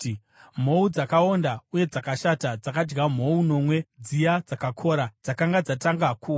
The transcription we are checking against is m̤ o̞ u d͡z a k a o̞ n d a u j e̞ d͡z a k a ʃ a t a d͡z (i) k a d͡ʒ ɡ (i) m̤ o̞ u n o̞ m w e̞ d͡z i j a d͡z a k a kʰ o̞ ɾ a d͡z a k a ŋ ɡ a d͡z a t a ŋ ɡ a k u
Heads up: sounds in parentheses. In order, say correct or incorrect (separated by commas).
incorrect, incorrect